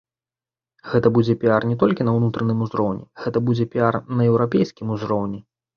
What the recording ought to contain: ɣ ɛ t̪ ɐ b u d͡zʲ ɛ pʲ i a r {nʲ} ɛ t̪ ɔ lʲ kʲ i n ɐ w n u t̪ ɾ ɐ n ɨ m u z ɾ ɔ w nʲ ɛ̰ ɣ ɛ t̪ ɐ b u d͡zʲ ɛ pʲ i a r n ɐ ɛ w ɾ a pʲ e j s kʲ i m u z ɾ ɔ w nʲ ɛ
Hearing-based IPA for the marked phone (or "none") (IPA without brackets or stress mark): nʲ